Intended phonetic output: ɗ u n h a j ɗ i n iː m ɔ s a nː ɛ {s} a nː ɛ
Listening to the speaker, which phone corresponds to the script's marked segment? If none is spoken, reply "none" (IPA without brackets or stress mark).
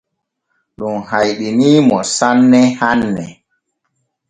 h